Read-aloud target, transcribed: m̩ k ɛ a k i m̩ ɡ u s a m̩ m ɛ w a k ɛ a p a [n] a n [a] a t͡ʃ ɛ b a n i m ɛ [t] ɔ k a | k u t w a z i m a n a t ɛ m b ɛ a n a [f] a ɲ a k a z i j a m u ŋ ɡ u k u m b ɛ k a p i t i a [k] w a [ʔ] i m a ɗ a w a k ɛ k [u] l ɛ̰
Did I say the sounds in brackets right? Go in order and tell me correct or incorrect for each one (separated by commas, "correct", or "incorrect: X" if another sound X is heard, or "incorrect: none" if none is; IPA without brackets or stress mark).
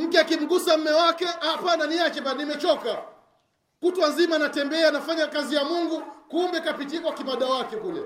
correct, incorrect: i, incorrect: t͡ʃ, correct, correct, incorrect: k, correct